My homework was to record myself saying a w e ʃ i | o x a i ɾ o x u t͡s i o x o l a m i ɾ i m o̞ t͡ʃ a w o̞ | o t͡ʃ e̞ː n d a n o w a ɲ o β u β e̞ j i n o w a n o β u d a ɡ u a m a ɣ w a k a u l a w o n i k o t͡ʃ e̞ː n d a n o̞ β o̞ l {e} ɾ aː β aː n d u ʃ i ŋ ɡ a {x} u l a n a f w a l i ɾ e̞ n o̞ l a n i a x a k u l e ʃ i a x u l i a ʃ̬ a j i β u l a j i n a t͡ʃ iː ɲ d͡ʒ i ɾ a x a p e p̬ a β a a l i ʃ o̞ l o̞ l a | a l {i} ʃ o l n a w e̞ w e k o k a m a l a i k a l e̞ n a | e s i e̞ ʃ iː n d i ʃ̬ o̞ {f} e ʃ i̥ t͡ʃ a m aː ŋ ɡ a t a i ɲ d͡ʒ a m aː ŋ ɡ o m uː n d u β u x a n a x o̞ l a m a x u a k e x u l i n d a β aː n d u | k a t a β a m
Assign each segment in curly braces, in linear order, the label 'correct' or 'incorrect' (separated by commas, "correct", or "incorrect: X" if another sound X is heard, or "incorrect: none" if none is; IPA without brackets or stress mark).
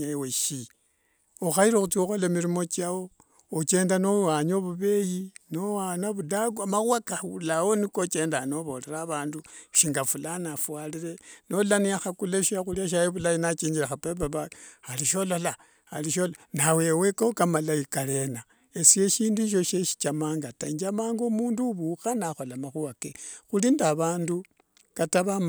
correct, incorrect: f, correct, incorrect: ʃ